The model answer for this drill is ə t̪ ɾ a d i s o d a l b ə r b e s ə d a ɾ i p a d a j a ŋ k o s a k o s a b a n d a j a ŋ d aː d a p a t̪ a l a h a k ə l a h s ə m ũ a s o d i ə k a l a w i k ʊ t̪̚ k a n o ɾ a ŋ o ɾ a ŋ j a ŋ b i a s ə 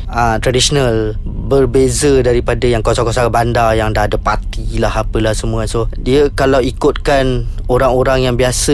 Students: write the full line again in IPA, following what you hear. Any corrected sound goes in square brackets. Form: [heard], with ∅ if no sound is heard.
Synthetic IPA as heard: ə t̪ ɾ a d i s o [n] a l b ə r b e [z] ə d a ɾ i p a d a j a ŋ k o s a k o s a b a n d a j a ŋ d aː d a p a t̪ [i] l a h a [p] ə l a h s ə m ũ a s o d i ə k a l a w i k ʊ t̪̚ k a n o ɾ a ŋ o ɾ a ŋ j a ŋ b i a s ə